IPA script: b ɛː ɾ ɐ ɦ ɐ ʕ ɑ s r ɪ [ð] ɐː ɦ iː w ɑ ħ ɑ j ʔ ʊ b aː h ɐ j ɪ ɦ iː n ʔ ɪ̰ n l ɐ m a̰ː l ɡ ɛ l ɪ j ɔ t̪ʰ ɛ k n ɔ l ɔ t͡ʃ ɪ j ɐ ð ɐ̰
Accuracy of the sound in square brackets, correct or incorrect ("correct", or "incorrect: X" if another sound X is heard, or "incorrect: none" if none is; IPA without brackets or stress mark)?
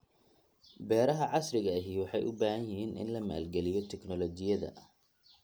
incorrect: ɣ